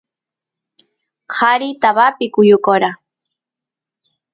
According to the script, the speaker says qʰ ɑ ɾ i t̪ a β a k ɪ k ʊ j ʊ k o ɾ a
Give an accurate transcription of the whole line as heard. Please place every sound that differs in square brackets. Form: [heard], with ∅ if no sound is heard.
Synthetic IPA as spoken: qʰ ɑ ɾ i t̪ a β a [p] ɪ k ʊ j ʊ k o ɾ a